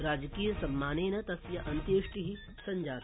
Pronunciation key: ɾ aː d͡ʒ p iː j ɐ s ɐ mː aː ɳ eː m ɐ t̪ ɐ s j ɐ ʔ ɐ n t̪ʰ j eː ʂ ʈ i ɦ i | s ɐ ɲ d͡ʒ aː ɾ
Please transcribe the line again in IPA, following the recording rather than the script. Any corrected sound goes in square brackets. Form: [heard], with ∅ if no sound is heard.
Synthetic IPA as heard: ɾ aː d͡ʒ [k] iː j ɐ s ɐ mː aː [n] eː [n] ɐ t̪ ɐ s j ɐ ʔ ɐ n [t̪] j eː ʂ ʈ i ɦ i | s ɐ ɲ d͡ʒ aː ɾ